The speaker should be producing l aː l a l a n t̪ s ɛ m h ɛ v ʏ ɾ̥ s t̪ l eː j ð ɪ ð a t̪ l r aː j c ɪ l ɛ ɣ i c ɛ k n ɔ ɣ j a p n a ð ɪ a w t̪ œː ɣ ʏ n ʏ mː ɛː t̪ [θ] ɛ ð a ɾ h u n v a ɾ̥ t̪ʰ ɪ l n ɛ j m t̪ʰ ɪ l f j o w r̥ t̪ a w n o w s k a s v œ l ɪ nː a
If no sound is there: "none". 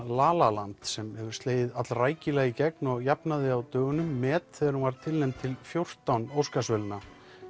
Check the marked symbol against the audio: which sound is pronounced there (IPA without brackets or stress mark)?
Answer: θ